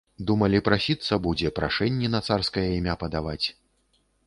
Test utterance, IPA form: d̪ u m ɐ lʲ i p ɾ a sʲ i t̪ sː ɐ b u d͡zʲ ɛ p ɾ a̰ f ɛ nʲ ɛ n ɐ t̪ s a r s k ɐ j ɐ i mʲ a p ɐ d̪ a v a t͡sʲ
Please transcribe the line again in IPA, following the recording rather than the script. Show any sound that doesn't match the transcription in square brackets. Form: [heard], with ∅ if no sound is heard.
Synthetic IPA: d̪ u m ɐ lʲ i p ɾ a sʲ i t̪ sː ɐ b u d͡zʲ ɛ p ɾ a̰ [ʂ] ɛ [nʲː] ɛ n ɐ t̪ s a r s k ɐ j ɐ i mʲ a p ɐ d̪ a v a t͡sʲ